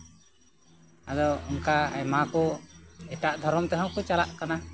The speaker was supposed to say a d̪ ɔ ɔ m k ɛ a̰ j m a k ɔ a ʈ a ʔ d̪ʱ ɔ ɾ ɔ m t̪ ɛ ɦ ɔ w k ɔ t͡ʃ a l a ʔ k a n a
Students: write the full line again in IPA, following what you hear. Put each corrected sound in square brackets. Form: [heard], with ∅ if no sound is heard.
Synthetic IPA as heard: a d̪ ɔ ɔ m k [a] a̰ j m a k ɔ [ɛ] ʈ a ʔ d̪ʱ ɔ ɾ ɔ m t̪ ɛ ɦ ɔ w k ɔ t͡ʃ a l a ʔ k a n a